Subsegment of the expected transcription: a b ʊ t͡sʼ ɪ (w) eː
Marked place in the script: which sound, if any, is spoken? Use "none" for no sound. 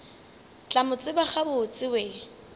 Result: w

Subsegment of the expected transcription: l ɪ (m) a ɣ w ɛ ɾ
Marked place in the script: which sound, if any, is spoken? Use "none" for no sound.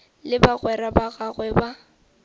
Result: b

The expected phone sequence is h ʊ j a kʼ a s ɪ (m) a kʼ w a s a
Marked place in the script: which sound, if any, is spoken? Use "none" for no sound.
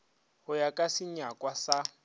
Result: ɲ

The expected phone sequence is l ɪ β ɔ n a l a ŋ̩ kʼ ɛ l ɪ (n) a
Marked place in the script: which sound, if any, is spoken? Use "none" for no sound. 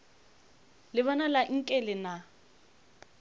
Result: n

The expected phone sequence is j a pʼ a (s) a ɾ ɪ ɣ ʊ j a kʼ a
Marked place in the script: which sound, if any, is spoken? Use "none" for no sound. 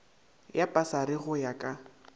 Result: s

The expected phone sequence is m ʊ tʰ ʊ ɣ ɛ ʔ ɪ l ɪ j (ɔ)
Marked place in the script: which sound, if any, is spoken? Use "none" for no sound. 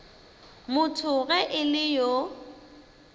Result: o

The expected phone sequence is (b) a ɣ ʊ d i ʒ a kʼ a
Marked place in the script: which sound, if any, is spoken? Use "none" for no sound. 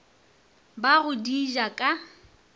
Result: b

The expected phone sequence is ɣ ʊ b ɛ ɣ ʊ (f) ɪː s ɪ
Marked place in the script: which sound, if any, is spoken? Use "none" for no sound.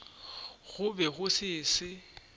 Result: s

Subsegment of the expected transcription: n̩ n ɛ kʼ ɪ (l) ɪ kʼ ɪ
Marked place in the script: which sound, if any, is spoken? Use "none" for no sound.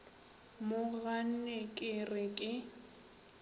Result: r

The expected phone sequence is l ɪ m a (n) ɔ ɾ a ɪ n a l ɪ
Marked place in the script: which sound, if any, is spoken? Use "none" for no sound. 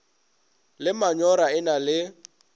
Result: ɲ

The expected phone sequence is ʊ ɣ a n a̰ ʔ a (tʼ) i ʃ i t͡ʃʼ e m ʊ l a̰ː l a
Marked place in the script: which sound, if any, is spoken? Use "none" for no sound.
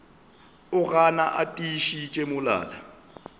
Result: tʼ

